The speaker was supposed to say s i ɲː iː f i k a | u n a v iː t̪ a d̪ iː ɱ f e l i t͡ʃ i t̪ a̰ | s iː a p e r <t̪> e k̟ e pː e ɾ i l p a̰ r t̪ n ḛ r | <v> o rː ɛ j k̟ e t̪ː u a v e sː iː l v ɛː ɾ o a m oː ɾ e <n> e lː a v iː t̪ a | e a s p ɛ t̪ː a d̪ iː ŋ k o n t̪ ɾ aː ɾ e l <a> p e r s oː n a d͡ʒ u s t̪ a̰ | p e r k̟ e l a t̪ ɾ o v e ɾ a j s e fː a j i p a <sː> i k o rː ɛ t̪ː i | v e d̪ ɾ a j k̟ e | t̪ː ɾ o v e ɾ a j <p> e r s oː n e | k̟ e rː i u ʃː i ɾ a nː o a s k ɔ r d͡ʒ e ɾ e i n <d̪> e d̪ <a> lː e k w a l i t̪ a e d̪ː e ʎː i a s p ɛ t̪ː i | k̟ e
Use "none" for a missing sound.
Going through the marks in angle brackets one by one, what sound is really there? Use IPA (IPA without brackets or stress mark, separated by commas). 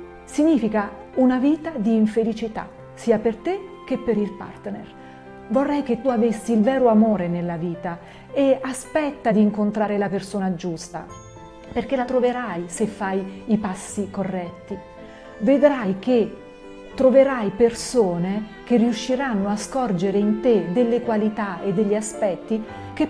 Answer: t̪, v, n, a, sː, p, t̪, e